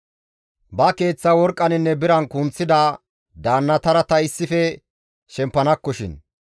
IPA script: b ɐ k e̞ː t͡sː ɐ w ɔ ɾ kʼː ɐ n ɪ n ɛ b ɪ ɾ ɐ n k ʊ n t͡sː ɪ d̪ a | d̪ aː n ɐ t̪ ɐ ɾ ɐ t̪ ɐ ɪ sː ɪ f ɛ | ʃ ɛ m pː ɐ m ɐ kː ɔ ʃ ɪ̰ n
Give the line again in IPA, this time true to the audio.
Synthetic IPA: b ɐ k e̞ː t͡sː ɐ w ɔ ɾ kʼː ɐ n ɪ nː ɛ b ɪ ɾ ɐ n k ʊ n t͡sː ɪ d̪ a | d̪ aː nː ɐ t̪ ɐ ɾ ɐ t̪ ɐ ɪ sː ɪ f ɛ | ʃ ɛ m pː ɐ n ɐ kː ɔ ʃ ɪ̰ n

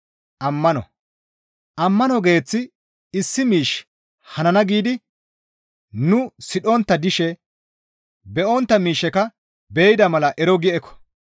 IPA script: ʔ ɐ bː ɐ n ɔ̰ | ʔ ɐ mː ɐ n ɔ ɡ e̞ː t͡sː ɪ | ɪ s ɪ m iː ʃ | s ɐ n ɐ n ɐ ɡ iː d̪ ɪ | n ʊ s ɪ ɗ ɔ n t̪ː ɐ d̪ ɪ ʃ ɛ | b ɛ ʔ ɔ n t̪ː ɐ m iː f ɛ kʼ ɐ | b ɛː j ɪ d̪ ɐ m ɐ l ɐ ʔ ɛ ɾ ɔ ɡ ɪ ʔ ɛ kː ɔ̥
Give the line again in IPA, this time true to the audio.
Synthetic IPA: ʔ ɐ mː ɐ n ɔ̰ | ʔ ɐ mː ɐ n ɔ ɡ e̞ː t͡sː ɪ | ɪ sː ɪ m iː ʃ | h ɐ n ɐ n ɐ ɡ iː d̪ ɪ | n ʊ s ɪ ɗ ɔ n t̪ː ɐ d̪ ɪ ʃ ɛ | b ɛ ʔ ɔ n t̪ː ɐ m iː ʃ ɛ k ɐ | b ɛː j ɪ d̪ ɐ m ɐ l ɐ ʔ ɛ ɾ ɔ ɡ ɪ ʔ ɛ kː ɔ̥

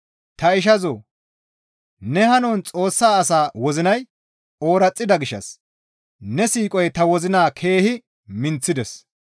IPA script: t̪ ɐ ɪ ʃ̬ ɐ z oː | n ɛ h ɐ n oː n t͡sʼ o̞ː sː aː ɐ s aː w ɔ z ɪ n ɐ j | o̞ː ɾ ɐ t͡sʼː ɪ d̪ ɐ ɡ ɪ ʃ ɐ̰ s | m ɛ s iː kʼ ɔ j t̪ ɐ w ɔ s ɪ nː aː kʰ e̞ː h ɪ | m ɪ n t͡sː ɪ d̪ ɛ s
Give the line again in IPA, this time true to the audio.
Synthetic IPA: t̪ ɐ ɪ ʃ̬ ɐ z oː | n ɛ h ɐ n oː n t͡sʼ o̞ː sː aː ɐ s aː w ɔ z ɪ n ɐ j | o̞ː ɾ ɐ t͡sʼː ɪ d̪ ɐ ɡ ɪ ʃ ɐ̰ s | n ɛ s iː kʼ ɔ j t̪ ɐ w ɔ z ɪ n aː kʰ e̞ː h ɪ | m ɪ n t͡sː ɪ d̪ ɛ s

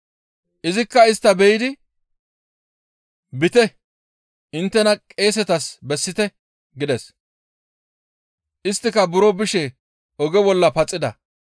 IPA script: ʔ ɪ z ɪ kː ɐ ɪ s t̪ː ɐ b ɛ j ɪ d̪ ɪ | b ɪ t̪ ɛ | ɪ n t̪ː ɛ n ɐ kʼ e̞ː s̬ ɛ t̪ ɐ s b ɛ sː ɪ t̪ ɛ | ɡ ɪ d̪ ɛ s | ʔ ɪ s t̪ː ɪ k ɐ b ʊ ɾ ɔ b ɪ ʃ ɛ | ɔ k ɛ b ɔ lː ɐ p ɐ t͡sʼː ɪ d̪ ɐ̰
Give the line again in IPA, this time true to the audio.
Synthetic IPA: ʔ ɪ z ɪ kː ɐ ɪ s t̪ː ɐ b ɛ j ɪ d̪ ɪ | b ɪ t̪ ɛ | ɪ n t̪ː ɛ n ɐ kʼ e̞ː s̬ ɛ t̪ ɐ s b ɛ sː ɪ t̪ ɛ | ɡ ɪ d̪ ɛ s | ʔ ɪ s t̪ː ɪ k ɐ b ʊ ɾ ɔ b ɪ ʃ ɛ | ɔ ɡ ɛ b ɔ lː ɐ p ɐ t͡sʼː ɪ d̪ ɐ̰

